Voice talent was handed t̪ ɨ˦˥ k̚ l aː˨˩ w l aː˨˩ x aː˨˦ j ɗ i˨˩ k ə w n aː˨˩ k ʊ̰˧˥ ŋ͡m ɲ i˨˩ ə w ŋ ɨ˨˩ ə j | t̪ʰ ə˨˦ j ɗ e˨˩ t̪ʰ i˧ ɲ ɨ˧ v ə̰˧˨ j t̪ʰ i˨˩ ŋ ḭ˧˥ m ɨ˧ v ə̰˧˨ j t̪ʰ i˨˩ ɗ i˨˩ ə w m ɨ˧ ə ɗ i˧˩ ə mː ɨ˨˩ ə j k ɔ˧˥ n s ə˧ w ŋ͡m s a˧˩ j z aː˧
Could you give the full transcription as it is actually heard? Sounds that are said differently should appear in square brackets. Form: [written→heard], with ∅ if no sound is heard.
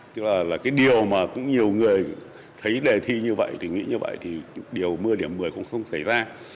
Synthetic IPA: t̪ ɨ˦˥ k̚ l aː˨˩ [w→∅] l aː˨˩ [x→k] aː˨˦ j ɗ i˨˩ [k→∅] ə w [n→m] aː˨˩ k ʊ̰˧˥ ŋ͡m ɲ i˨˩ ə w ŋ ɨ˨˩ ə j | t̪ʰ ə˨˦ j ɗ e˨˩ t̪ʰ i˧ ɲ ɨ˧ v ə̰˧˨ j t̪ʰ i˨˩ ŋ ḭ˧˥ [m→ɲ] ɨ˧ v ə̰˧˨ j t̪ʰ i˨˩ ɗ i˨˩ ə w m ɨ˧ ə ɗ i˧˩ ə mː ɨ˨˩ ə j k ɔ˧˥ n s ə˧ w ŋ͡m s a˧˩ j z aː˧